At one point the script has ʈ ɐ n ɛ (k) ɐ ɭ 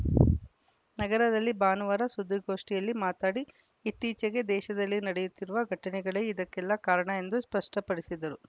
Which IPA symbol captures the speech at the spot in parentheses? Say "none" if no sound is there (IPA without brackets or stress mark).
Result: ɡ